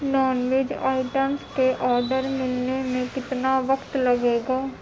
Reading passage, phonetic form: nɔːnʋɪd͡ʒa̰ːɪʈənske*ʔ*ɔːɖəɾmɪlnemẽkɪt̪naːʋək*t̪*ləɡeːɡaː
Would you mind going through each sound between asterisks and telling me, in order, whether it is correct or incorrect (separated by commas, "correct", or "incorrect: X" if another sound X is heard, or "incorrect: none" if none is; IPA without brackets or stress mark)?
correct, correct